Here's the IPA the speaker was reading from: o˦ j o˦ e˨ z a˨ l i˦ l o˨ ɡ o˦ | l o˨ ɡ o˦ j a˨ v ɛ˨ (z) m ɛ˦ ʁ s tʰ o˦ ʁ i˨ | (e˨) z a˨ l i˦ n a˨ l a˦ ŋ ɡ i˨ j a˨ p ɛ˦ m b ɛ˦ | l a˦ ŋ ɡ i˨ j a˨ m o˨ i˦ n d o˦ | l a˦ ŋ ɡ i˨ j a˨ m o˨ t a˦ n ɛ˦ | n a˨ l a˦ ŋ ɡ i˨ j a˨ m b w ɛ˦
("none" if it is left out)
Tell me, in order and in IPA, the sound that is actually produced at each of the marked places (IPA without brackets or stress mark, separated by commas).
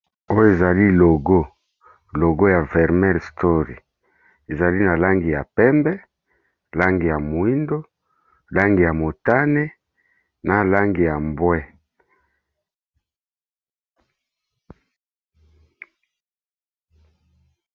ʁ, e˨